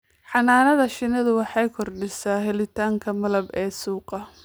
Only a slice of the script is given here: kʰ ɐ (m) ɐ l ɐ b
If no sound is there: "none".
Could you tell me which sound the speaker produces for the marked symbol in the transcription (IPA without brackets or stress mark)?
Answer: m